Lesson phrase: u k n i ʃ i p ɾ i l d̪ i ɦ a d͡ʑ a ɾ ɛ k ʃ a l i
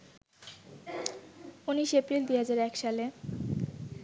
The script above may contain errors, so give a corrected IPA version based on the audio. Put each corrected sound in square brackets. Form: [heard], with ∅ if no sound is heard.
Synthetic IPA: u [∅] n i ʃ [e] p ɾ i l d̪ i ɦ a d͡ʑ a ɾ ɛ k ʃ a l [e]